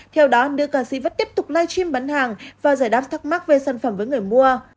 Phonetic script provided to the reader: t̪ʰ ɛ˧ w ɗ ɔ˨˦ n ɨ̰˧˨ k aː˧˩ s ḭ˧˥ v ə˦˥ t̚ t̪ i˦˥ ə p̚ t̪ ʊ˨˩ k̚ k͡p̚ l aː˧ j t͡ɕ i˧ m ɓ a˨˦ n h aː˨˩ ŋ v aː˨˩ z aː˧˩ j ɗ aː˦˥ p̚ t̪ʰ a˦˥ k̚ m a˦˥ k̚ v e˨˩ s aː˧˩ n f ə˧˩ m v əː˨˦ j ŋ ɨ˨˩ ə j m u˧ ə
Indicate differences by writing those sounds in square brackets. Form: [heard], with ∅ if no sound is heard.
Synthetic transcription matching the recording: t̪ʰ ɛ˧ w ɗ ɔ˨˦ n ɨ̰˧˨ k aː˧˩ s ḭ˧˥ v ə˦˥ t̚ t̪ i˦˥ ə p̚ t̪ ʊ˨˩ [∅] k͡p̚ l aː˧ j t͡ɕ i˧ m ɓ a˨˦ n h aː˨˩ ŋ v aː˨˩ z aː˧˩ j ɗ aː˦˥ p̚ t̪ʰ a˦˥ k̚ m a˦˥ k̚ v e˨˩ s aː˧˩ n f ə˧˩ m v əː˨˦ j ŋ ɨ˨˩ ə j m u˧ ə